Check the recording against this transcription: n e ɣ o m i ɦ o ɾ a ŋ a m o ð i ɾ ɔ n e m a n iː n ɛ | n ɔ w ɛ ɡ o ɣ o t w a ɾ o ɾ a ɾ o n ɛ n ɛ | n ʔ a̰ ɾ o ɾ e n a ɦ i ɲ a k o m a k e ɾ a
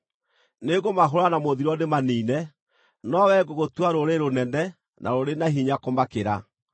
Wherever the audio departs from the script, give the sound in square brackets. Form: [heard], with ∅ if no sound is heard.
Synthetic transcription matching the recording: n e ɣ o m [a] ɦ o ɾ a [n] a m o ð i ɾ ɔ n e m a n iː n ɛ | n ɔ w ɛ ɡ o ɣ o t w a ɾ o ɾ [e] ɾ o n ɛ n ɛ | n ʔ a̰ ɾ o ɾ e n a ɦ i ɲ a k o m a k e ɾ a